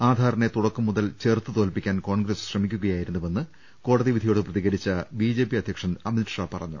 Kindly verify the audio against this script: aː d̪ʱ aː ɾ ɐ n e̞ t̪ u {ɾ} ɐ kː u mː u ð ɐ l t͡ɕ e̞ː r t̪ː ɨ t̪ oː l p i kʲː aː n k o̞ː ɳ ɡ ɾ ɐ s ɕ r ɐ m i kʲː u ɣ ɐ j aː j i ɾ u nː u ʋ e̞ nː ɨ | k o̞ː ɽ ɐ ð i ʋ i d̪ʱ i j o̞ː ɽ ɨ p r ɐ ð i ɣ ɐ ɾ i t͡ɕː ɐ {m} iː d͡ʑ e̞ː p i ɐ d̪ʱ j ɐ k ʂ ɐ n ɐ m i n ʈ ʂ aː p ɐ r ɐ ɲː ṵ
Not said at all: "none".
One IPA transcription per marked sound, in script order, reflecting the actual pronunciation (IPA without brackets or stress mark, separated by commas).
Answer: ɽ, b